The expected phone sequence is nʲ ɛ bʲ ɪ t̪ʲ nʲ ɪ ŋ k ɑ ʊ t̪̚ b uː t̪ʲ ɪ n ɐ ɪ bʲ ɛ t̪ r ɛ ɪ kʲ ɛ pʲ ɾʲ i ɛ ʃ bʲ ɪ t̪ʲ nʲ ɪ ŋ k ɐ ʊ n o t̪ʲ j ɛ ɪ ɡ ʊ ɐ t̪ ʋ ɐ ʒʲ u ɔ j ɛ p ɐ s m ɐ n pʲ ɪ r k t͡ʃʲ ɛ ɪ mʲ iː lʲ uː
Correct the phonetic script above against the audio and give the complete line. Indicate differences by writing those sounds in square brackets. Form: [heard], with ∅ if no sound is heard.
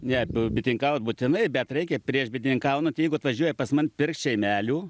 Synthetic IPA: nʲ ɛ bʲ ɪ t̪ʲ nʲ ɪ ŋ k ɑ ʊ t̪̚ b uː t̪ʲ ɪ n ɐ ɪ bʲ ɛ t̪ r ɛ ɪ kʲ ɛ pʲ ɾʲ i ɛ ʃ bʲ ɪ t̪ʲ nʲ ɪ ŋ k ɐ ʊ n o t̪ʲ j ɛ ɪ ɡ ʊ ɐ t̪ ʋ ɐ ʒʲ u ɔ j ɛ p ɐ s m ɐ n pʲ ɪ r k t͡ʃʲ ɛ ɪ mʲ [æː] lʲ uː